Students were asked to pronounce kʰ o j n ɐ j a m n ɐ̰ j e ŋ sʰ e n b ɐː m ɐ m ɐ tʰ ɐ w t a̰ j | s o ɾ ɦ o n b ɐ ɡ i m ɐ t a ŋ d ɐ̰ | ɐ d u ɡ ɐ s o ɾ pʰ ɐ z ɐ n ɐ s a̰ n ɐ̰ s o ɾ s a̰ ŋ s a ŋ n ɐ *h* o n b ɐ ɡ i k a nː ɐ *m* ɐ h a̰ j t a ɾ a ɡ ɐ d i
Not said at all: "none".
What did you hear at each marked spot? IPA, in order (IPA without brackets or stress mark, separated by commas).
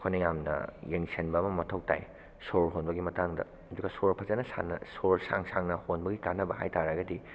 h, b